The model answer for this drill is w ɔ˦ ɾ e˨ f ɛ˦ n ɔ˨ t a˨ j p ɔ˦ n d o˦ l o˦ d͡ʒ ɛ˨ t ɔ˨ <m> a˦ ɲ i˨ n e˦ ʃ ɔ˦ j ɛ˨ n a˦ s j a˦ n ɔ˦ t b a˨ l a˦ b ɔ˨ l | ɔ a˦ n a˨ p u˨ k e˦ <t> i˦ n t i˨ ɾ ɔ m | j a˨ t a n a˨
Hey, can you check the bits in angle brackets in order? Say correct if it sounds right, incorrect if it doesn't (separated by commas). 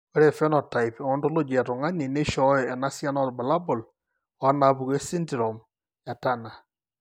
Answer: incorrect, incorrect